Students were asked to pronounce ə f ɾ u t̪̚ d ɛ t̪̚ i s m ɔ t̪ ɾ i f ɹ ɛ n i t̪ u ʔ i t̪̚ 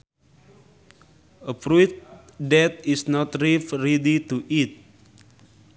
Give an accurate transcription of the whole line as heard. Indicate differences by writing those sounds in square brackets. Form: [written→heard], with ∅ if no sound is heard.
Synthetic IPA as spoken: ə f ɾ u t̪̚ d ɛ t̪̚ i s [m→n] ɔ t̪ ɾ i f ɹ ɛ [n→d] i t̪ u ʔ i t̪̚